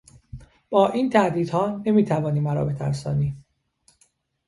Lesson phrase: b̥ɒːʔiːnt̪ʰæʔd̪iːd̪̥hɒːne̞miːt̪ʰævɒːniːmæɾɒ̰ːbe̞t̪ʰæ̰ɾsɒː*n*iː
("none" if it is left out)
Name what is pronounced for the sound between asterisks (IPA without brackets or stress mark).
n